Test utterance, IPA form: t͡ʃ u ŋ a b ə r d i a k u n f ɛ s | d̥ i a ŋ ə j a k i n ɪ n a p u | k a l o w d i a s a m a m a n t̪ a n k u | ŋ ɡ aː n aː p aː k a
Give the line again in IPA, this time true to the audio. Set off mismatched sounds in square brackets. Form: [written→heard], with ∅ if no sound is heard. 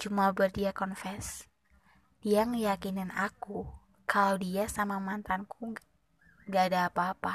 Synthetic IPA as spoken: t͡ʃ u [ŋ→m] a b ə r d i a k [u→ɔ] n f ɛ s | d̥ i a ŋ ə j a k i n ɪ n a [p→k] u | k a l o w d i a s a m a m a n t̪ a n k u | ŋ ɡ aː [n→d] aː p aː [k→p] a